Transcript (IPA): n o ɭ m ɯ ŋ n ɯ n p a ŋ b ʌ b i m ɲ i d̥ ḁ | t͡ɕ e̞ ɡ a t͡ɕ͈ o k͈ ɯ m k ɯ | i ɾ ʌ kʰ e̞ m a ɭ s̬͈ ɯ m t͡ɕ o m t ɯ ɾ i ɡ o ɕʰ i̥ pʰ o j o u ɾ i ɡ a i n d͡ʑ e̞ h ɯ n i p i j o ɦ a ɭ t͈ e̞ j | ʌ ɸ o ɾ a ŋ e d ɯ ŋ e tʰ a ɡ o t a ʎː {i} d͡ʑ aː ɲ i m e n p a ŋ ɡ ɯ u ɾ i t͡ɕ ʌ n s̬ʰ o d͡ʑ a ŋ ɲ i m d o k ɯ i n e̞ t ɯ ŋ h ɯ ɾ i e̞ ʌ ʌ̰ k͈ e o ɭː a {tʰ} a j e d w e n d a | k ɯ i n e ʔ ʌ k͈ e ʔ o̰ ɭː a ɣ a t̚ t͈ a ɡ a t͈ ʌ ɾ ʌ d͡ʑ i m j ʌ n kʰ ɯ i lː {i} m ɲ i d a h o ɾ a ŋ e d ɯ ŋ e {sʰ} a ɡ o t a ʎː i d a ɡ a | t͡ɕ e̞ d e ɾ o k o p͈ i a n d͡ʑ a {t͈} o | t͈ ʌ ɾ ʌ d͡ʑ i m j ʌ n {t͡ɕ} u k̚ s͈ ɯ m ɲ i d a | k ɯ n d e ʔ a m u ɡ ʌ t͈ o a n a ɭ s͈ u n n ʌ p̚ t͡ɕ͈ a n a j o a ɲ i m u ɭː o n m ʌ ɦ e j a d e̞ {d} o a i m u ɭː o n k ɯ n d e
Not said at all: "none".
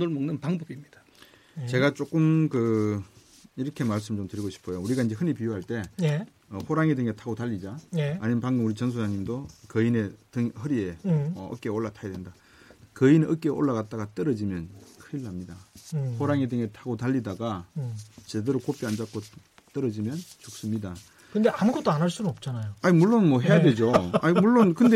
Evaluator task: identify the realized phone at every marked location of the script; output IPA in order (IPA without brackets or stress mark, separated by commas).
i, tʰ, a, tʰ, k͈, t͡ɕ, d͡ʑ